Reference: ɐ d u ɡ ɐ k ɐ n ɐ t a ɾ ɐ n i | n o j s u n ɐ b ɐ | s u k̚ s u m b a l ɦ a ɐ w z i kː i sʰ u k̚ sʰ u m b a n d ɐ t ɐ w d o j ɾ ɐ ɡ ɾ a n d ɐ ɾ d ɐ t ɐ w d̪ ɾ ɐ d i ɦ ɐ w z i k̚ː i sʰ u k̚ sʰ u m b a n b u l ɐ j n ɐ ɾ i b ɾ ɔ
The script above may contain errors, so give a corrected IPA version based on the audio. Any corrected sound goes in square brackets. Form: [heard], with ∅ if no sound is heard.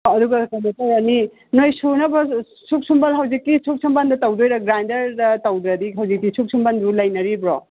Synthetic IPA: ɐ d u ɡ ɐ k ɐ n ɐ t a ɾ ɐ n i | n o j s u n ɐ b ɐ | s u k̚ s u m b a l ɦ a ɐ w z i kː i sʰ u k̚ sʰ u m b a n d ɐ t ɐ w d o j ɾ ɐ ɡ ɾ a n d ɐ ɾ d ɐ t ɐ w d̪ ɾ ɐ d i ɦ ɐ w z i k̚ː i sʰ u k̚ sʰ u m b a n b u l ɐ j n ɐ ɾ i b ɾ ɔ